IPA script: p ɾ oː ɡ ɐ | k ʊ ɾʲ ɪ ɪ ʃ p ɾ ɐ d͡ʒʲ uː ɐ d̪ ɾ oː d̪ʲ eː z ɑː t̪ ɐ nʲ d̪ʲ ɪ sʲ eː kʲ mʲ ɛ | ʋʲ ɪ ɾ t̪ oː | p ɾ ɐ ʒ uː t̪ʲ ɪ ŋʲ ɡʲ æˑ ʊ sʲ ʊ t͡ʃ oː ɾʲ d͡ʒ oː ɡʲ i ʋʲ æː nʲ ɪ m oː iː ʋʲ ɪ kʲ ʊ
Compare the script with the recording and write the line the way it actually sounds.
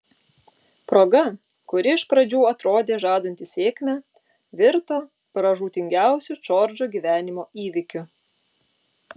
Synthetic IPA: p ɾ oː ɡ ɐ | k ʊ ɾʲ ɪ ɪ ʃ p ɾ ɐ d͡ʒʲ uː ɐ t̪ ɾ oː d̪ʲ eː ʒ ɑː d̪ ɐ nʲ t̪ʲ ɪ sʲ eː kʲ mʲ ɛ | ʋʲ ɪ ɾ t̪ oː | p ɾ ɐ ʒ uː t̪ʲ ɪ ŋʲ ɡʲ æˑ ʊ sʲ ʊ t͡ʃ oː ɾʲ d͡ʒ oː ɡʲ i ʋʲ æː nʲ ɪ m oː iː ʋʲ ɪ kʲ ʊ